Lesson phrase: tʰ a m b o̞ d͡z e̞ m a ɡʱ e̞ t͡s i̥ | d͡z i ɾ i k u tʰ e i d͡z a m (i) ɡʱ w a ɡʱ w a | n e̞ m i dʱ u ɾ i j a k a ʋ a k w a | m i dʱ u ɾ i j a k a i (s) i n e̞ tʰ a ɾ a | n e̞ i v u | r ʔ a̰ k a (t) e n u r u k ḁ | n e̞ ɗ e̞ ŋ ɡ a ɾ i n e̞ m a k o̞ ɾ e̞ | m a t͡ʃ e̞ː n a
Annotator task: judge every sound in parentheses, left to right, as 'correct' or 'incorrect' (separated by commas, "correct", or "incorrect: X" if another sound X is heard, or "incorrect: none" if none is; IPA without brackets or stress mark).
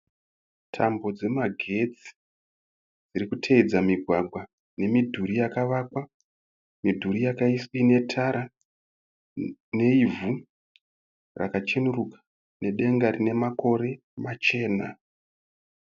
correct, correct, incorrect: t͡ʃ